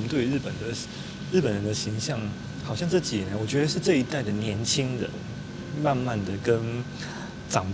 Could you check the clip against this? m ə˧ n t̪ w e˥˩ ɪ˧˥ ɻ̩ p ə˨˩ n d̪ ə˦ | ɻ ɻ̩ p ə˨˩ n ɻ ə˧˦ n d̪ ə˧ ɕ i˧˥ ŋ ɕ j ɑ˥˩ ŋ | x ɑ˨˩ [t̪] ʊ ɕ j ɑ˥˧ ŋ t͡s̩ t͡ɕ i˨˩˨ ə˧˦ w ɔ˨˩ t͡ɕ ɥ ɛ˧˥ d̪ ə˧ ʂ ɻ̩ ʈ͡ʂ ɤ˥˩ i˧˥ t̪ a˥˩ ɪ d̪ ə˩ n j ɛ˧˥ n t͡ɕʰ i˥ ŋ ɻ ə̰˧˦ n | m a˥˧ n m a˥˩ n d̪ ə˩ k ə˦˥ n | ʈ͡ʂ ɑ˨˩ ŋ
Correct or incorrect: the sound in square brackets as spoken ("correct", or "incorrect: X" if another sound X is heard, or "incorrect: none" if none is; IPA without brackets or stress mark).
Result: incorrect: none